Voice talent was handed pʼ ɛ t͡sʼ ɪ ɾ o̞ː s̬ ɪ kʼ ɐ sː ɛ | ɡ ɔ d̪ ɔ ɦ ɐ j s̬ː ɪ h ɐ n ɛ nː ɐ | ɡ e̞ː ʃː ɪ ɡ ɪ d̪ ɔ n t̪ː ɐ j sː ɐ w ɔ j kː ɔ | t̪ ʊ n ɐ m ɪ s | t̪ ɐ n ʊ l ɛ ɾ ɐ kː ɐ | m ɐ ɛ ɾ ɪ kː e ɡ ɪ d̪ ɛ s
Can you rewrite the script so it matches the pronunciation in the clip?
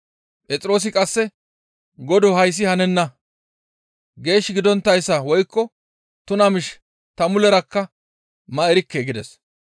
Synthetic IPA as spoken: pʼ ɛ t͡sʼ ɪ ɾ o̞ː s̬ ɪ kʼ ɐ sː ɛ | ɡ ɔ d̪ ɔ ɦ ɐ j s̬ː ɪ h ɐ n ɛ nː ɐ | ɡ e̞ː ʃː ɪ ɡ ɪ d̪ ɔ n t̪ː ɐ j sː ɐ w ɔ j kː ɔ | t̪ ʊ n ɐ m ɪ ʃ | t̪ ɐ m ʊ l ɛ ɾ ɐ kː ɐ | m ɐ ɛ ɾ ɪ kː e ɡ ɪ d̪ ɛ s